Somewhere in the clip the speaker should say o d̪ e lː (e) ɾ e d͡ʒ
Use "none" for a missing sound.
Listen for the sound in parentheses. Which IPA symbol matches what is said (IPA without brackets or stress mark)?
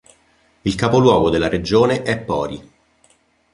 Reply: a